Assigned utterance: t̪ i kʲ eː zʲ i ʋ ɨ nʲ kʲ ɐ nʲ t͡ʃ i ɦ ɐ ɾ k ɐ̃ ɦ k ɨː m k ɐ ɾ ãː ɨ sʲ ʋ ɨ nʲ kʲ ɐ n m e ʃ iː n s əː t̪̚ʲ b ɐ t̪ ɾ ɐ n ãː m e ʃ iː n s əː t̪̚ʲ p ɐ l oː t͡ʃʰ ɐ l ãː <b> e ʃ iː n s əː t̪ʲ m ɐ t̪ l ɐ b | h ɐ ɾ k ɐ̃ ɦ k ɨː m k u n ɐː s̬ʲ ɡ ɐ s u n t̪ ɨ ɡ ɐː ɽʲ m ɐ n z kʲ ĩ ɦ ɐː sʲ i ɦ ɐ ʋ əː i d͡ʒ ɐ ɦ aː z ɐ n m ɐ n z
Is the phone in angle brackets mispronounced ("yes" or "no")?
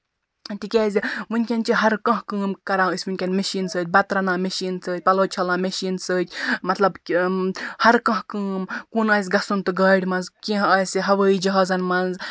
yes